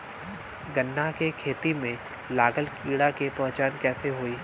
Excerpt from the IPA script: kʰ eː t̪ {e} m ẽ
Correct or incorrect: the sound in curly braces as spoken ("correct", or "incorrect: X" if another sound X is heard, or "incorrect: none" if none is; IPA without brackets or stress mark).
incorrect: i